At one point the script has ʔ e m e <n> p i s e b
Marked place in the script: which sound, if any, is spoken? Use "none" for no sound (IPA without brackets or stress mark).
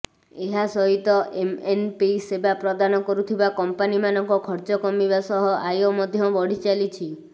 n